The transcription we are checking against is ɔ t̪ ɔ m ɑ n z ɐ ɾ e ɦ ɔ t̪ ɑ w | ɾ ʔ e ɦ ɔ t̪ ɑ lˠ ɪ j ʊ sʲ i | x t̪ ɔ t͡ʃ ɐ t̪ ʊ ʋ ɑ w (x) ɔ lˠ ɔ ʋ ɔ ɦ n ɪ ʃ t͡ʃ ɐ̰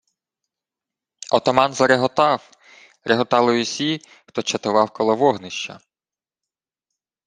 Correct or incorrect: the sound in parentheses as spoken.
incorrect: k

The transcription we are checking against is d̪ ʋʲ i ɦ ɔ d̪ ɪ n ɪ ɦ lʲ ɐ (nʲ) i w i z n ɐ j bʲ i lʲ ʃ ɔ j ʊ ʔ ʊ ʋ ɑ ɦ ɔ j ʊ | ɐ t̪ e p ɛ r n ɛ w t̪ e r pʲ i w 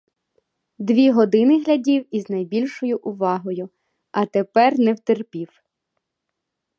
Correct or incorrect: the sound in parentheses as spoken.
incorrect: dʲ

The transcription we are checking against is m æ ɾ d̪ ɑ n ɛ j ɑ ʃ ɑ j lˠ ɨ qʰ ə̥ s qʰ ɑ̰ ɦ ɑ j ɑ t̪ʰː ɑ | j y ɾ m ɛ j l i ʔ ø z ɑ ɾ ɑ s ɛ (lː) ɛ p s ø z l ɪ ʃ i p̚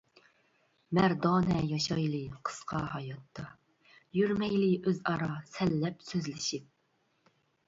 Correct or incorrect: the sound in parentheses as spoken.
correct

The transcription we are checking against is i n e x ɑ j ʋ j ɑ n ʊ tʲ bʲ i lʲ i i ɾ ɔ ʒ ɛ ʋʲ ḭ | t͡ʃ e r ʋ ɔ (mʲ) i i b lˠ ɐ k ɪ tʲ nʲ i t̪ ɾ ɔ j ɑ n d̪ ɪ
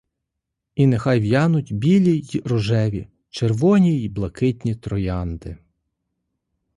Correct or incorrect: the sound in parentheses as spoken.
incorrect: nʲ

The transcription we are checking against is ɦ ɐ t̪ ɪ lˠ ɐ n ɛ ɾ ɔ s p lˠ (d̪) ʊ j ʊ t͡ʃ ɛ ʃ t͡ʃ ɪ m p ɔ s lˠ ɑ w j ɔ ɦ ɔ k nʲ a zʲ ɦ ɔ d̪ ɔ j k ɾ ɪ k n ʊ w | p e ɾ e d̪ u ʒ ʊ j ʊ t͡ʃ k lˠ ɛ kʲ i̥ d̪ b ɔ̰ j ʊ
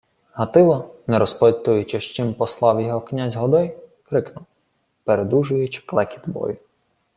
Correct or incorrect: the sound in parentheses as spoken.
incorrect: t̪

